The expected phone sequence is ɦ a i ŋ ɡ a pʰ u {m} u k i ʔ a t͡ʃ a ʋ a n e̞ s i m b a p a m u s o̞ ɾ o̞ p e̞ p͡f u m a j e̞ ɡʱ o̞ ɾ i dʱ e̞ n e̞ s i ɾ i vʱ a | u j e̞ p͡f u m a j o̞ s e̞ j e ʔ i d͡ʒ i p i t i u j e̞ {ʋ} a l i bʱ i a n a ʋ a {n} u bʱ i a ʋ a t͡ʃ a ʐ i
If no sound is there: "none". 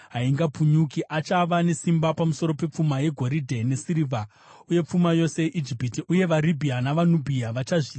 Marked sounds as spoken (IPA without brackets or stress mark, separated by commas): ɲ, ʋ, n